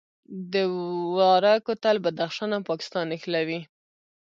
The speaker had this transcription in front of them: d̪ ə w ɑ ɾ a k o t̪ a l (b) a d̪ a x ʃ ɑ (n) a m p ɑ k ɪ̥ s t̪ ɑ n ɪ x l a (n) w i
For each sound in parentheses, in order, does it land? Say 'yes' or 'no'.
yes, yes, no

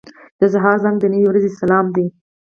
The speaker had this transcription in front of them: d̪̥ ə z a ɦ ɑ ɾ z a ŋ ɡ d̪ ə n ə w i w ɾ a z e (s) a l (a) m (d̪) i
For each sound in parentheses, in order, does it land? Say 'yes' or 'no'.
yes, no, yes

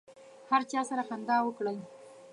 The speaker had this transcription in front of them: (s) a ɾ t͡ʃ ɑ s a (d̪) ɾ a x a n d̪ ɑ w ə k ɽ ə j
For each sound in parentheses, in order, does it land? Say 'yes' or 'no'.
no, no

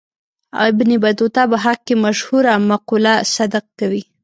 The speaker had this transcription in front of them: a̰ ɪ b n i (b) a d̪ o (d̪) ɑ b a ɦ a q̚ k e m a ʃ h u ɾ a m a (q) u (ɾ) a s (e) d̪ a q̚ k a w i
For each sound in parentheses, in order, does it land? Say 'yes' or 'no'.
yes, no, yes, no, no

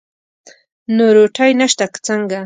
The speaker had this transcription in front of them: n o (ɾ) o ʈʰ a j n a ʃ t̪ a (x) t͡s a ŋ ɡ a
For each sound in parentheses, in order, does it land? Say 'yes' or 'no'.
yes, no

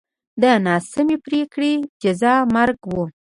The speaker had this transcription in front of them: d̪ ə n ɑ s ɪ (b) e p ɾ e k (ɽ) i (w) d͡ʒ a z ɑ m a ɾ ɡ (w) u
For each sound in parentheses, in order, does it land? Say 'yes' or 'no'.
no, yes, no, yes

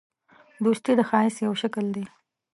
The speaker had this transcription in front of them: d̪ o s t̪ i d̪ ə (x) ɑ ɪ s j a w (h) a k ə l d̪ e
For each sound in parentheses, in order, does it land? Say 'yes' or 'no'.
yes, no

